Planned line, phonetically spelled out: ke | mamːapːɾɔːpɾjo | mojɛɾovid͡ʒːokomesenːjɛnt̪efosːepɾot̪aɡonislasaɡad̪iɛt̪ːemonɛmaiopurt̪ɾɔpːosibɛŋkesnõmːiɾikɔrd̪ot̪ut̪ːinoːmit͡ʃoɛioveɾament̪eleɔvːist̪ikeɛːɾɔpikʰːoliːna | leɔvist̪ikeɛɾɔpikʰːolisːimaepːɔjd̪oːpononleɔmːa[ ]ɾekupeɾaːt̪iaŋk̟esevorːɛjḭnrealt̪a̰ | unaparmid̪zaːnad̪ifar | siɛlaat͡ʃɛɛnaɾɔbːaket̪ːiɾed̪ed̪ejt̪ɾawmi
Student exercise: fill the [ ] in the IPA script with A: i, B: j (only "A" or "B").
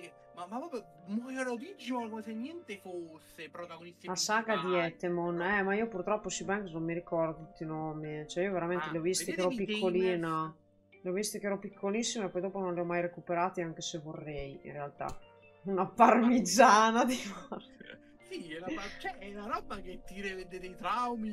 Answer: B